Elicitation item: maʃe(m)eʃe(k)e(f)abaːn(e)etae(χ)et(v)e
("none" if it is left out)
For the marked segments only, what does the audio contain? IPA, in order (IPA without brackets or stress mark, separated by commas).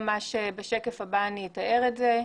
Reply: b, k, f, i, ʁ, z